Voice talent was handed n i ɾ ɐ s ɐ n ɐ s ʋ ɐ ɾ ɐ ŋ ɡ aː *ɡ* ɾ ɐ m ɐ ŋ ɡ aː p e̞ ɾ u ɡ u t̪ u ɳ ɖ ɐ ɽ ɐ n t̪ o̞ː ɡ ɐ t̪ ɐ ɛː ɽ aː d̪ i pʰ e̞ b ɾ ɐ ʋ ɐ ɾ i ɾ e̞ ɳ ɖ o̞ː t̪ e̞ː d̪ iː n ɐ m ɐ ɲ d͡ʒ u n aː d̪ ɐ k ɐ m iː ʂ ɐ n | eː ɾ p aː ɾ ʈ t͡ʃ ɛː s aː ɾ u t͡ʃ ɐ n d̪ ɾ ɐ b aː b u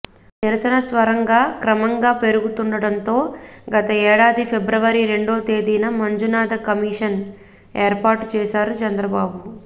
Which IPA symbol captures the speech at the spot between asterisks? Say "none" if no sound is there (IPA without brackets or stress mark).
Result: k